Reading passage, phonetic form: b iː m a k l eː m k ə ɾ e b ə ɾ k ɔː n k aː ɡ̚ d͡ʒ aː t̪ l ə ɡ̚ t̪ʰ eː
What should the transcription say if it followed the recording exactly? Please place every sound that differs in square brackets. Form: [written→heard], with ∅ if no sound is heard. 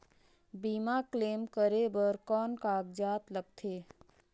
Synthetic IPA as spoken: b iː m a k l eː m k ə ɾ e b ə ɾ k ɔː n k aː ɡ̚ d͡ʒ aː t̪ l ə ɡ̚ t̪ʰ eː